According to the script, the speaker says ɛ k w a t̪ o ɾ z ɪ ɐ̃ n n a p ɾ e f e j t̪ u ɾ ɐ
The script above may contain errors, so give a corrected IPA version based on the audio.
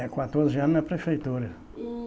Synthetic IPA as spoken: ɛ k w a t̪ o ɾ z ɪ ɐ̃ n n ɐ p ɾ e f e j t̪ u ɾ ɐ